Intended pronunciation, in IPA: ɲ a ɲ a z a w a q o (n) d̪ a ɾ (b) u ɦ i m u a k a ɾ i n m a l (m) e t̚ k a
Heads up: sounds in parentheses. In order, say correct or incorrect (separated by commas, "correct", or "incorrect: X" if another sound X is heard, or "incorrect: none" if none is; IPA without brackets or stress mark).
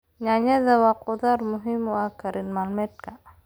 incorrect: none, incorrect: m, correct